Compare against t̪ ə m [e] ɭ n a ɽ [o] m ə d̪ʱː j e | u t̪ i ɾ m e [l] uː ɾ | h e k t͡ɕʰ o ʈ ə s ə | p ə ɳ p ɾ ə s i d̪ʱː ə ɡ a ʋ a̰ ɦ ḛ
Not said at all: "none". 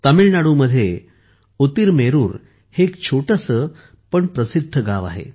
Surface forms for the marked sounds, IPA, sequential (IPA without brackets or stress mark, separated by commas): i, u, ɾ